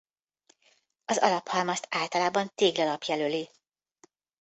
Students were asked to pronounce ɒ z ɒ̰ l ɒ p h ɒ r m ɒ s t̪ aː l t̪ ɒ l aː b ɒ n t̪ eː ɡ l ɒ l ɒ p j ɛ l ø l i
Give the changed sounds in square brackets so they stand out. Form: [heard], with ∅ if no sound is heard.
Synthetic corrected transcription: ɒ z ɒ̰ l ɒ p h ɒ [l] m ɒ s t̪ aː l t̪ ɒ l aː b ɒ n t̪ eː ɡ l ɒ l ɒ p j ɛ l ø l i

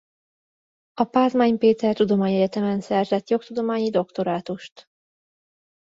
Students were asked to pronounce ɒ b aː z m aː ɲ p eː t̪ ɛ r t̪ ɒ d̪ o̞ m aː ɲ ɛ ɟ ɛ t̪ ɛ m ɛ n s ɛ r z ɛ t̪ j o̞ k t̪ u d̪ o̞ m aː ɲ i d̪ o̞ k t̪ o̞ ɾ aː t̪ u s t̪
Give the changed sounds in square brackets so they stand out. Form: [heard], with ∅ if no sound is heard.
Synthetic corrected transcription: ɒ [p] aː z m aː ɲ p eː t̪ ɛ r t̪ [u] d̪ o̞ m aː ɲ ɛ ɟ ɛ t̪ ɛ m ɛ n s ɛ r z ɛ t̪ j o̞ k t̪ u d̪ o̞ m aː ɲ i d̪ o̞ k t̪ o̞ ɾ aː t̪ u [ʃ] t̪

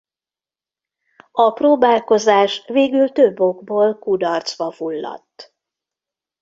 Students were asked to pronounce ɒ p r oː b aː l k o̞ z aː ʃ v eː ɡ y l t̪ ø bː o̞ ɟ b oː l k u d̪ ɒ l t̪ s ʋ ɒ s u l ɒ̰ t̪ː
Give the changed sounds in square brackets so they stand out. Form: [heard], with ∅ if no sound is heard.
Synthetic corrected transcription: ɒ p r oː b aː l k o̞ z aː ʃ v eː ɡ y l t̪ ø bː o̞ [ɡ] b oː l k u d̪ ɒ [r] t̪ s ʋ ɒ [f] u [lː] ɒ̰ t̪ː

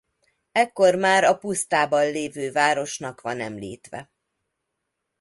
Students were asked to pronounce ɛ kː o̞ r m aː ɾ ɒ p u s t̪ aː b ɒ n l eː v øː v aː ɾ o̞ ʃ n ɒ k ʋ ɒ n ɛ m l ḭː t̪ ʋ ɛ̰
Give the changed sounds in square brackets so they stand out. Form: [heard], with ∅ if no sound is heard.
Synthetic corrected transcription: ɛ kː o̞ r m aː ɾ ɒ p u s t̪ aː b ɒ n l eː v øː v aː ɾ o̞ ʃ n ɒ k ʋ ɒ n ɛ m l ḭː t̪ ʋ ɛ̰

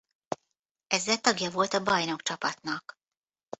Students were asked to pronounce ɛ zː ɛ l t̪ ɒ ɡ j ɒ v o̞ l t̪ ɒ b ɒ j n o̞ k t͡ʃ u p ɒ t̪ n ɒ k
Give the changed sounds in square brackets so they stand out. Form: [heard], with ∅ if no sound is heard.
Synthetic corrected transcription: ɛ zː ɛ l t̪ ɒ ɡ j ɒ v o̞ l t̪ ɒ b ɒ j n o̞ k t͡ʃ [ɒ] p ɒ t̪ n ɒ k

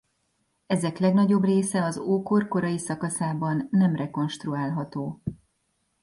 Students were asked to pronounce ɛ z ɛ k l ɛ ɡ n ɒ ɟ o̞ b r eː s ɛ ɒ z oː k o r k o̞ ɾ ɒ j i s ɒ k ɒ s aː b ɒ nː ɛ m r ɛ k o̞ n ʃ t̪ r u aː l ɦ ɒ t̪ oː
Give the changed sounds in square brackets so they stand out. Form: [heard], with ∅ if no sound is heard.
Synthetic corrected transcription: ɛ z ɛ k l ɛ ɡ n ɒ ɟ o̞ b r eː s ɛ ɒ z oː k o r k o̞ ɾ ɒ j i s ɒ k ɒ s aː b ɒ nː ɛ m r ɛ k o̞ n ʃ t̪ r u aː l ɦ ɒ t̪ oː

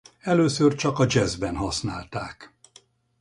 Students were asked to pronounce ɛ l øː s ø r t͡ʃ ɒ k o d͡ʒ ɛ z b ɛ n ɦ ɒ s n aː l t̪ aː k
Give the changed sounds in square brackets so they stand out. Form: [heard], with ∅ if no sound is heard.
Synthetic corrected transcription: ɛ l øː s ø r t͡ʃ ɒ k [ɒ] d͡ʒ ɛ z b ɛ n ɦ ɒ s n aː l t̪ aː k

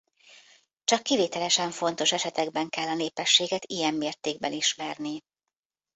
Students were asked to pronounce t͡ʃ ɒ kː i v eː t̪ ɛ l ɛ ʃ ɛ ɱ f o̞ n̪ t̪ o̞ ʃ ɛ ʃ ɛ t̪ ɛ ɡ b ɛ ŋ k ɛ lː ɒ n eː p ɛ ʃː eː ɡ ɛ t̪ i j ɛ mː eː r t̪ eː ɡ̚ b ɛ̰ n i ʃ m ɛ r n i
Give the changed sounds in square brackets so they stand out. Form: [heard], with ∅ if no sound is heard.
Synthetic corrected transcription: t͡ʃ ɒ kː i v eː t̪ ɛ l ɛ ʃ ɛ ɱ f o̞ n̪ t̪ o̞ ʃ ɛ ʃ ɛ t̪ ɛ ɡ b ɛ ŋ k ɛ lː ɒ n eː p ɛ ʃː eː ɡ ɛ t̪ i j ɛ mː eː r t̪ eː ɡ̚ b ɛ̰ n i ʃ m ɛ r n i

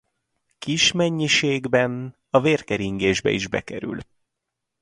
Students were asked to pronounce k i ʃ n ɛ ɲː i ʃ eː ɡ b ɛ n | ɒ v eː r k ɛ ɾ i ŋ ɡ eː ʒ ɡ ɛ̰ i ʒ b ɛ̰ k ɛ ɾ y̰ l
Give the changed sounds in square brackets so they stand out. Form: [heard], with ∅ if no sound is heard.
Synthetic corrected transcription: k i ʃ [m] ɛ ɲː i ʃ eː ɡ b ɛ n | ɒ v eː r k ɛ ɾ i ŋ ɡ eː ʒ [b] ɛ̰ i ʒ b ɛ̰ k ɛ ɾ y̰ l

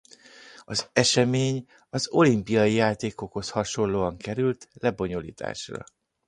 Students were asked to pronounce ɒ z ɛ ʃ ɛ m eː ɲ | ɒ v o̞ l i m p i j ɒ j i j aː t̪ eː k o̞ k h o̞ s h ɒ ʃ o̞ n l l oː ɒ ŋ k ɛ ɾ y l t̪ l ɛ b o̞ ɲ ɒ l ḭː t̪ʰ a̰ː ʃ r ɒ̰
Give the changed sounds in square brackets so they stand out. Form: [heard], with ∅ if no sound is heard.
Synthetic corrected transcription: ɒ z ɛ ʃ ɛ m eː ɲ | ɒ [z] o̞ l i m p i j ɒ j i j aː t̪ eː k o̞ k h o̞ s h ɒ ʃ o̞ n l l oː ɒ ŋ k ɛ ɾ y l t̪ l ɛ b o̞ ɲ [o] l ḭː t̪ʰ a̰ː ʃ r ɒ̰

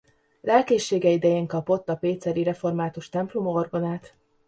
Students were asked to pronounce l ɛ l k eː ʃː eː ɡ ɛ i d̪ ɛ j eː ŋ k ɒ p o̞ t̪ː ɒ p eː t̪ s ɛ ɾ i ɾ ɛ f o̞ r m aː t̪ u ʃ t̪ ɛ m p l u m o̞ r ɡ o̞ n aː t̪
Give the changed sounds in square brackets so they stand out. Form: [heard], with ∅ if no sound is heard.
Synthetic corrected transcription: l ɛ l k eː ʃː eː ɡ ɛ i d̪ ɛ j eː ŋ k ɒ p o̞ t̪ː ɒ p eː t̪ s ɛ ɾ i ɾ ɛ f o̞ r m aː t̪ u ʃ t̪ ɛ m p l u m o̞ r ɡ o̞ n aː t̪

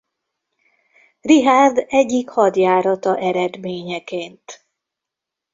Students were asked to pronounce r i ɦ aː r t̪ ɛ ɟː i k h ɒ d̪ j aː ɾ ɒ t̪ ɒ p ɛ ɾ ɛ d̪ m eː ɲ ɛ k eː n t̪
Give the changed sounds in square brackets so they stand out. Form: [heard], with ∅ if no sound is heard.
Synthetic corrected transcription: r i ɦ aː r [d̪] ɛ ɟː i k h ɒ d̪ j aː ɾ ɒ t̪ ɒ [ʔ] ɛ ɾ ɛ d̪ m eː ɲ ɛ k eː n t̪

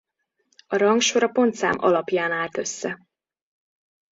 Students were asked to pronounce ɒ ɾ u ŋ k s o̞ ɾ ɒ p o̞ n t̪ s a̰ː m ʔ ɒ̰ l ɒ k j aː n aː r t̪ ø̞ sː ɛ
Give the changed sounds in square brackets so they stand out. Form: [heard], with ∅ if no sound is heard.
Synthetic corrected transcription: ɒ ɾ [ɒ] ŋ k [ʃ] o̞ ɾ ɒ p o̞ n t̪ s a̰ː m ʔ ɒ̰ l ɒ [p] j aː n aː [l] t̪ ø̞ sː ɛ

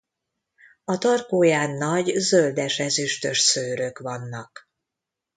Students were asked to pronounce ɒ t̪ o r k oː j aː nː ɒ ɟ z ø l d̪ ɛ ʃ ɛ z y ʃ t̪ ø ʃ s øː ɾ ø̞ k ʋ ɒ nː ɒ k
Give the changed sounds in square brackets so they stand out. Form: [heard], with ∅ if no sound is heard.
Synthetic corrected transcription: ɒ t̪ [ɒ] r k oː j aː nː ɒ ɟ z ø l d̪ ɛ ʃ ɛ z y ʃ t̪ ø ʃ s øː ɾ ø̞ k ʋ ɒ nː ɒ k

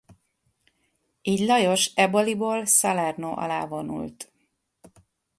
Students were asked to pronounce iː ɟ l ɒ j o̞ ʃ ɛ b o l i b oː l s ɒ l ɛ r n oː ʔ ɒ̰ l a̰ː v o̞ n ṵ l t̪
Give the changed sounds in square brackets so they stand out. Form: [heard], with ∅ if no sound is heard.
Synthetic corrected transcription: iː ɟ l ɒ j o̞ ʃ ɛ b o l i b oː l s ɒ l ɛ r n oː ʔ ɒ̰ l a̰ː v o̞ n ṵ l t̪

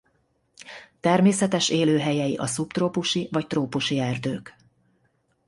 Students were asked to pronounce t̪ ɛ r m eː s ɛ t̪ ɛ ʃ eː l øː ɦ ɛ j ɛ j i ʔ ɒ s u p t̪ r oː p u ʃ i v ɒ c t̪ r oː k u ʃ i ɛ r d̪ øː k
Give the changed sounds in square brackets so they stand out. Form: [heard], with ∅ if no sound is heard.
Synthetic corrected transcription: t̪ ɛ r m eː s ɛ t̪ ɛ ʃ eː l øː ɦ ɛ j ɛ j i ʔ ɒ s u p t̪ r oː p u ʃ i v ɒ c t̪ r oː [p] u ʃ i ɛ r d̪ øː k

